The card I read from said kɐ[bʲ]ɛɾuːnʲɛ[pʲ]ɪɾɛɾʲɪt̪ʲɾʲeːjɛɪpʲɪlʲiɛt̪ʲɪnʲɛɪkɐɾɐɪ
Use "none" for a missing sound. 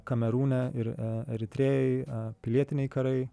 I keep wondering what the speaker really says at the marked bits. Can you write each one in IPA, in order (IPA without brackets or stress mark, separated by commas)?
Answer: mʲ, none